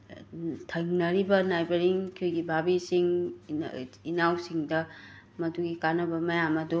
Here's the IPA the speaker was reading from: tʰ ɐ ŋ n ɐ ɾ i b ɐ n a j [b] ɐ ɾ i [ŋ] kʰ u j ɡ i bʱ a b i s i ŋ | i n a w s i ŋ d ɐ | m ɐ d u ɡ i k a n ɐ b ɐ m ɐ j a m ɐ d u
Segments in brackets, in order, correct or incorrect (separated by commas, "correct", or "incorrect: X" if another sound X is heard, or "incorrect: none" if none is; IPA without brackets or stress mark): correct, correct